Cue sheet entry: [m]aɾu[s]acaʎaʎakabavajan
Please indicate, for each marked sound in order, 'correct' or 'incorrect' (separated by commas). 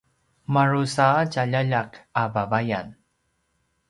correct, correct